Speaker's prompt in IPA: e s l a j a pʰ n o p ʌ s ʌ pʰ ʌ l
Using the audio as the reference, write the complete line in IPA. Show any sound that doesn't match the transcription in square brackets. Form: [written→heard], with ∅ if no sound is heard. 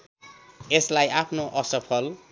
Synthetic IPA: e s l a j a pʰ n o [p→ʔ] ʌ s ʌ pʰ ʌ l